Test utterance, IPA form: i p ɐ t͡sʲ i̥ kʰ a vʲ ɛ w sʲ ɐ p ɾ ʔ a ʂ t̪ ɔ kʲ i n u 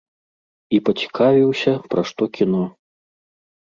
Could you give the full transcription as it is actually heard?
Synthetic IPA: i p ɐ t͡sʲ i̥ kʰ a vʲ i w sʲ ɐ p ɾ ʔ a ʂ t̪ ɔ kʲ i n ɔ